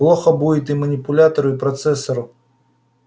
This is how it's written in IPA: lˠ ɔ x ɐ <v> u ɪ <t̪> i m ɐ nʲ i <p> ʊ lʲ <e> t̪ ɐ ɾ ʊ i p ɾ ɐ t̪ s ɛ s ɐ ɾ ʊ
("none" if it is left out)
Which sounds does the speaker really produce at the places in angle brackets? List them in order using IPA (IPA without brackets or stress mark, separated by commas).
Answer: b, t̪, p, a